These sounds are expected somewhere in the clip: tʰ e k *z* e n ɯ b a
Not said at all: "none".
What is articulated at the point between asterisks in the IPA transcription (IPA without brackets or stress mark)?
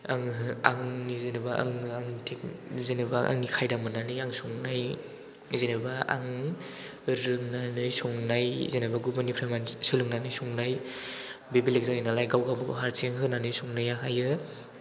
z